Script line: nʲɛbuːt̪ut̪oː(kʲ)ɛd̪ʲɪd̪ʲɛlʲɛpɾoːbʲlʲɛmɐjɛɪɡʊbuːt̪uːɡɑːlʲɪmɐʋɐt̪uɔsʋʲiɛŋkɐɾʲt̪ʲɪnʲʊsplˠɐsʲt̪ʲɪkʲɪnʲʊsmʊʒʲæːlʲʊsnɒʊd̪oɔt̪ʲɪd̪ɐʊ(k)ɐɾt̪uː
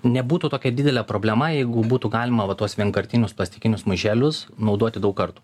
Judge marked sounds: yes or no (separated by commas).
yes, yes